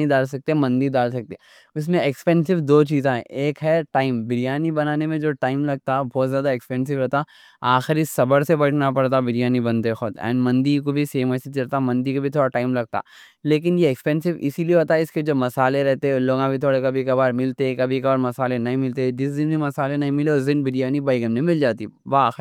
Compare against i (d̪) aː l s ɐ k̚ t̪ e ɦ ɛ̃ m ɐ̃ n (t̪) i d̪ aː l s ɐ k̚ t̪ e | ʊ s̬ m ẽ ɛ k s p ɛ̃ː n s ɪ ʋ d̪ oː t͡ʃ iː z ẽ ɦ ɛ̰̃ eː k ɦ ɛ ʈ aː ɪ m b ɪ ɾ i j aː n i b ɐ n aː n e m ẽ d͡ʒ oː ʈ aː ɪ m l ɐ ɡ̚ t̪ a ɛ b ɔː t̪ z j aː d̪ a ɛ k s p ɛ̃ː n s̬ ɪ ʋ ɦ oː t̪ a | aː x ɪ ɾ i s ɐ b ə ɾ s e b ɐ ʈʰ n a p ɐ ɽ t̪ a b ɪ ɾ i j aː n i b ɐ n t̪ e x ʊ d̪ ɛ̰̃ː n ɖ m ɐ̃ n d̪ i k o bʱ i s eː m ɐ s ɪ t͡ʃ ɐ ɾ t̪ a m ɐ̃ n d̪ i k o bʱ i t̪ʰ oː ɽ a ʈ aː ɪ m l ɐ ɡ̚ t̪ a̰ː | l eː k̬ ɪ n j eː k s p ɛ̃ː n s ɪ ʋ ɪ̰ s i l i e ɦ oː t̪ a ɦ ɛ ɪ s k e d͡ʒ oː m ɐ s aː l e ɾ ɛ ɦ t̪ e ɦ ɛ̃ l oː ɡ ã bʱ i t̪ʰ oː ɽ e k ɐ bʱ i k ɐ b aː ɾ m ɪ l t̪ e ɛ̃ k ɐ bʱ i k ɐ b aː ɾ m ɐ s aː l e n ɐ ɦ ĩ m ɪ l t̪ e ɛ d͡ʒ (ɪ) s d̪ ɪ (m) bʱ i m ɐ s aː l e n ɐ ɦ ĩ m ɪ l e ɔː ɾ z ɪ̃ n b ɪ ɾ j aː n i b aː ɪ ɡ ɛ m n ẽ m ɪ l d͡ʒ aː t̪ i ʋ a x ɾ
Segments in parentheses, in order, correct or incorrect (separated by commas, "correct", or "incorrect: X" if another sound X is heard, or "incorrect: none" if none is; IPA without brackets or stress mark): correct, incorrect: d̪, correct, incorrect: n